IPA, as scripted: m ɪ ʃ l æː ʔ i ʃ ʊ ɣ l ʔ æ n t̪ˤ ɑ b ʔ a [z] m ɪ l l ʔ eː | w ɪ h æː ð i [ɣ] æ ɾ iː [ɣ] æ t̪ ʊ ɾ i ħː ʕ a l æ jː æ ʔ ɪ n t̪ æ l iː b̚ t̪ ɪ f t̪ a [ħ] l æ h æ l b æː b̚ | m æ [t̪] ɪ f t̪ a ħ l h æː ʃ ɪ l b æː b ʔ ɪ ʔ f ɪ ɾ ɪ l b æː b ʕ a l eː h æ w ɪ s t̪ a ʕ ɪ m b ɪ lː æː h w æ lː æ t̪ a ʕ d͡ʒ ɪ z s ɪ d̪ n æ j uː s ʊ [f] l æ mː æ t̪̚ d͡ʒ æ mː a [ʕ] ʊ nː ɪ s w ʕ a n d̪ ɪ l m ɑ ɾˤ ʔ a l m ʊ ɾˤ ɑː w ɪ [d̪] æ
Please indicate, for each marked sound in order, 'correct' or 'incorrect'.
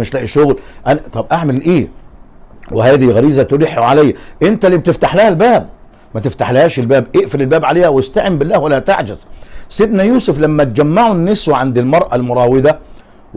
incorrect: ʕ, correct, incorrect: z, correct, correct, correct, correct, correct

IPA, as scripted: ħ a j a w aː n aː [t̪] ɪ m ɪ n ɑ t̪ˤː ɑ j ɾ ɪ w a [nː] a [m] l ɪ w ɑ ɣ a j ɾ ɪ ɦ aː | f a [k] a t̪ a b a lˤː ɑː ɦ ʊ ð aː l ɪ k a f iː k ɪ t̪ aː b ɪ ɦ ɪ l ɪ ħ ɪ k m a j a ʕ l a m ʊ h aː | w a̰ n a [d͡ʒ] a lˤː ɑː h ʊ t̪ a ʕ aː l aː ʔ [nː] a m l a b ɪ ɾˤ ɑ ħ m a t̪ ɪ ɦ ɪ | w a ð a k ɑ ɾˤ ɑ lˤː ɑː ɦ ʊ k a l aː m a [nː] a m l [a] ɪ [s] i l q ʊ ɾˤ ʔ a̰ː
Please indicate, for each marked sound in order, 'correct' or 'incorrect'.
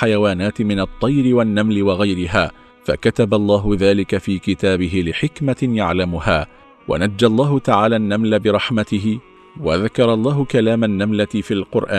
correct, correct, correct, correct, incorrect: d͡ʒː, correct, correct, correct, incorrect: f

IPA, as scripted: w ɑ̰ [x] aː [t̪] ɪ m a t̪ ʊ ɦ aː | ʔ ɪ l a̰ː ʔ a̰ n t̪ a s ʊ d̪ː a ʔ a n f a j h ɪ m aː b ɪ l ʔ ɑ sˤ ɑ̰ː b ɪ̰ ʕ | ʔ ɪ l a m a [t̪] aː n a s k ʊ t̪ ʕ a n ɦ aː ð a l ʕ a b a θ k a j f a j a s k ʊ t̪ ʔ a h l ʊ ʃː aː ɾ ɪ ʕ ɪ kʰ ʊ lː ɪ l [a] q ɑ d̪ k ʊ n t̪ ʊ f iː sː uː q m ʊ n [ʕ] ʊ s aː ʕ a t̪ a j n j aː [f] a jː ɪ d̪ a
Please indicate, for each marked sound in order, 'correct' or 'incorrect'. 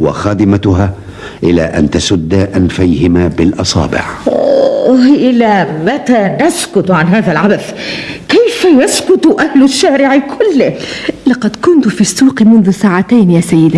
correct, incorrect: d̪, correct, incorrect: ɑ, incorrect: ð, incorrect: s

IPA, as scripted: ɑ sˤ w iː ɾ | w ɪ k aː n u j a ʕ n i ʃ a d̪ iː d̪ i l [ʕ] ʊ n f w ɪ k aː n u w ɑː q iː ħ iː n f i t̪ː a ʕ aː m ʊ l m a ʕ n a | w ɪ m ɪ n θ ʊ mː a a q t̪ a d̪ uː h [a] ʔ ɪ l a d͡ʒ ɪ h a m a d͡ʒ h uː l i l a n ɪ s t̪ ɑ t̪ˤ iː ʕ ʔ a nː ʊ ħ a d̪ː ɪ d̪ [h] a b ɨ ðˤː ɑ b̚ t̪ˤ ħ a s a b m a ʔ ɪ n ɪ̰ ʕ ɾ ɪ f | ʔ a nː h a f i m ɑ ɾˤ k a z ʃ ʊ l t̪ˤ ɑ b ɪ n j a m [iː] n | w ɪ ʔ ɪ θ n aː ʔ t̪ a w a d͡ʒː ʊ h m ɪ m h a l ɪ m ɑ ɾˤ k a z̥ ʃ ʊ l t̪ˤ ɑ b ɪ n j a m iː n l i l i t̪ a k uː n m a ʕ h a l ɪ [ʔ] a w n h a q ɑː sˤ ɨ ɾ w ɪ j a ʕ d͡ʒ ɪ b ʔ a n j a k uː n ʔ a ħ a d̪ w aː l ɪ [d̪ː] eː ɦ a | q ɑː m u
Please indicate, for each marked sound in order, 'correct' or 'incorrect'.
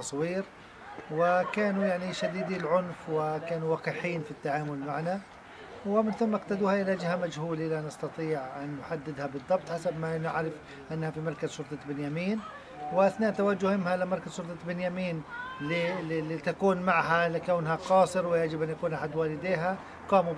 correct, correct, correct, correct, incorrect: k, incorrect: d̪

